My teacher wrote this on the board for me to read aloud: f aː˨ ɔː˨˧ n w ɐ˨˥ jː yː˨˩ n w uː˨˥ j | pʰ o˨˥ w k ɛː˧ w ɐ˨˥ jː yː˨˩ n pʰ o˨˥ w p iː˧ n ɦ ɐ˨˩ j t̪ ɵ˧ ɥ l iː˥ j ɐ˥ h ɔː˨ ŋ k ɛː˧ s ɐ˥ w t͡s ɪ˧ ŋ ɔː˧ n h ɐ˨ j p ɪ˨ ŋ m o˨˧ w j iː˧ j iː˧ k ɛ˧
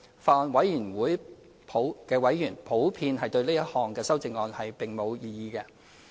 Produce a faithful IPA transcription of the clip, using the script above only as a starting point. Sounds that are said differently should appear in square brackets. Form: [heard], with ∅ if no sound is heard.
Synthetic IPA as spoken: f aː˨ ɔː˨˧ n w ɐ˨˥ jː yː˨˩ n w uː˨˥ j | pʰ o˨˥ w k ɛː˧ w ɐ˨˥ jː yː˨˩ n pʰ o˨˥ w [pʰ] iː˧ n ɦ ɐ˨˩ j t̪ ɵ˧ ɥ l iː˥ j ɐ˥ h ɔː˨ ŋ k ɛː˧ s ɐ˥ w t͡s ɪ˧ ŋ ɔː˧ n h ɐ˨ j p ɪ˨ ŋ m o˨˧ w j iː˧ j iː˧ k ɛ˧